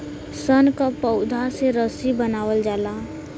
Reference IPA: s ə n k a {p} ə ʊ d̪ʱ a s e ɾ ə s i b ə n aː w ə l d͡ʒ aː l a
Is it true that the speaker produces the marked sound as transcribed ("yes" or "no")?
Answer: yes